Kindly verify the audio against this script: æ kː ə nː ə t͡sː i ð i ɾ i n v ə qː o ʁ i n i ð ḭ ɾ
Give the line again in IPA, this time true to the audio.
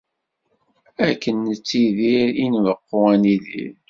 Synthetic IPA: æ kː ə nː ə t͡sː i ð i ɾ i n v ə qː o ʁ æ n i ð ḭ ɾ